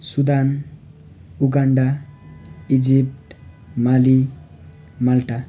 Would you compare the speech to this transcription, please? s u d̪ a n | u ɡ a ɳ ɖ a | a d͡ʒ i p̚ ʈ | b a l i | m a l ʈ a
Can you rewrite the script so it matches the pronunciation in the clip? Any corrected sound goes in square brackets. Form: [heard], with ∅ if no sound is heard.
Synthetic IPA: s u d̪ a n | u ɡ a ɳ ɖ a | [i] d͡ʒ i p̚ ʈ | [m] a l i | m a l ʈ a